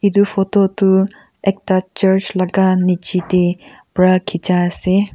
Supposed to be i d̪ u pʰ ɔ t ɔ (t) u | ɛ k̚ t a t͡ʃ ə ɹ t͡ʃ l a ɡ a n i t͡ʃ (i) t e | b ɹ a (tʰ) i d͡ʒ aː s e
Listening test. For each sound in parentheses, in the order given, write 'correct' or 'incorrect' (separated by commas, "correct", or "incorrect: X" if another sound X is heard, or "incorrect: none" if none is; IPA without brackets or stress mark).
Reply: correct, correct, incorrect: kʰ